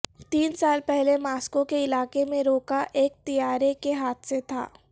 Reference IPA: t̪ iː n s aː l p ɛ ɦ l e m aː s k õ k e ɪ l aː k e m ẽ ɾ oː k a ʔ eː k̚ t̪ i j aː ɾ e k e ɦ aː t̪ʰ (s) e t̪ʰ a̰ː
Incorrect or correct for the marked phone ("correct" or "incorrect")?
correct